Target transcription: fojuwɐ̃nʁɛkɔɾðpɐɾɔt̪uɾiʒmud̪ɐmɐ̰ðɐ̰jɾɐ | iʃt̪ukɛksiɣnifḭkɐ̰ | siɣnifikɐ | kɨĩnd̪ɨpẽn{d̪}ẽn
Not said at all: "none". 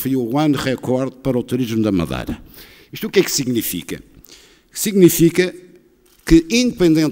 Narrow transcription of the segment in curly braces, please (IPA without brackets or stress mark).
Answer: d̪